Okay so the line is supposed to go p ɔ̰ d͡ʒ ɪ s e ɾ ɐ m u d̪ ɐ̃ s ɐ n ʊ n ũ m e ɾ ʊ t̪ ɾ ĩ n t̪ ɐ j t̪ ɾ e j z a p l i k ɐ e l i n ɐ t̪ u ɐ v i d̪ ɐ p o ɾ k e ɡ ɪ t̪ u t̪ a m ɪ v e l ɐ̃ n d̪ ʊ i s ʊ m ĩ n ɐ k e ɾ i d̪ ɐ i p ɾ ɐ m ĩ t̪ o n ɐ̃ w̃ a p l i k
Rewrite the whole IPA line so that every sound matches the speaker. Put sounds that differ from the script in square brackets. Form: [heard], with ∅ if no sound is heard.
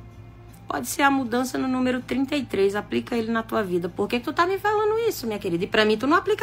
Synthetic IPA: p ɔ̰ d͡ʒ ɪ s e ɾ ɐ m u d̪ ɐ̃ s ɐ n ʊ n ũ m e ɾ ʊ t̪ ɾ ĩ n t̪ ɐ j t̪ ɾ e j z a p l i k ɐ e l [ɪ] n ɐ t̪ u ɐ v i d̪ ɐ p o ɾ k e [k] ɪ t̪ u t̪ a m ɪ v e l ɐ̃ n d̪ ʊ i s ʊ m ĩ [ɲ] ɐ k e ɾ i d̪ ɐ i p ɾ ɐ m ĩ t̪ [u] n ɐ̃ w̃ a p l i k